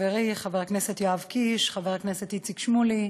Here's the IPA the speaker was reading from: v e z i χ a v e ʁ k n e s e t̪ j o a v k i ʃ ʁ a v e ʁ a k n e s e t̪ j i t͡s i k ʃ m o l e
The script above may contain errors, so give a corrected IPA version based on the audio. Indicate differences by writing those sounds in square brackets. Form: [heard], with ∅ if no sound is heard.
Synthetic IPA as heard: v e [ʁ] i χ a v e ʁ k n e s e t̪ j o a v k i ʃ [χ] a v e ʁ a k n e s e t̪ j i t͡s i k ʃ m [u] l [i]